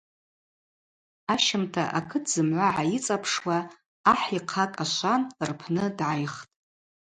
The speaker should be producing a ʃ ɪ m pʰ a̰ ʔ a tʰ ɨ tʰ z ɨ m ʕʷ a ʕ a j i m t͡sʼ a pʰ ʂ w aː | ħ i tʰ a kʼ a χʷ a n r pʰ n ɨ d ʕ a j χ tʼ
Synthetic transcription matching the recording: a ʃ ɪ m tʰ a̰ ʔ a kʰ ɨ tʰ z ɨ m ʕʷ a ʕ a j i t͡sʼ a pʰ ʂ w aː | ħ i qʰ a kʼ a ʃʷ a n r pʰ n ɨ d ʕ a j χ tʼ